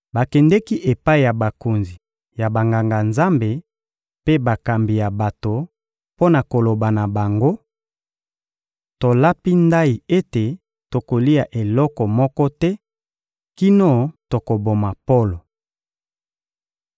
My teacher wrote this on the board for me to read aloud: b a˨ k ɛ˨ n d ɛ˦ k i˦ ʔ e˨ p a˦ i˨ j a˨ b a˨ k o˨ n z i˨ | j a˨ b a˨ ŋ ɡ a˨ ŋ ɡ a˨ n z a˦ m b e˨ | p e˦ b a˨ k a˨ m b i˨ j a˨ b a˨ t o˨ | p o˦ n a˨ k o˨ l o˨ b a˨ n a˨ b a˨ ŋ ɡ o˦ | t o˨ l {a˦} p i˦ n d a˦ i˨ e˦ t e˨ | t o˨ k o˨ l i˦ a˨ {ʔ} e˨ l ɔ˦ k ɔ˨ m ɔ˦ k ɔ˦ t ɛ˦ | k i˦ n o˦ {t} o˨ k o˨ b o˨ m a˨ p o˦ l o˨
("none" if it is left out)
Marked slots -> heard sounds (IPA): a˦, ʔ, t

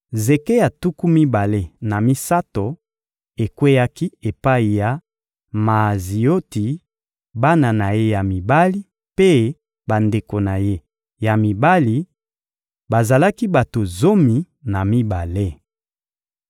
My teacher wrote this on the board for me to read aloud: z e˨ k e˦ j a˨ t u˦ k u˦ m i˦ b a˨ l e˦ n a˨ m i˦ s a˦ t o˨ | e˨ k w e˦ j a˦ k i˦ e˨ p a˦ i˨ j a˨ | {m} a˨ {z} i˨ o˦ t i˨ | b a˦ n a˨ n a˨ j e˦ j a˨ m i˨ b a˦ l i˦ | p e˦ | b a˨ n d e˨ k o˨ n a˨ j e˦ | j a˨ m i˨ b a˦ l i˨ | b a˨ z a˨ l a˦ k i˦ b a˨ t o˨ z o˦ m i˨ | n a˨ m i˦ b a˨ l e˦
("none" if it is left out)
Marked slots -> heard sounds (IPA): m, z

